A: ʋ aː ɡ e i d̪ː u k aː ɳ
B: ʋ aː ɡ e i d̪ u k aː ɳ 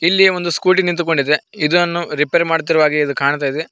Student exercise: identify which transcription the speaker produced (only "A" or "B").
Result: B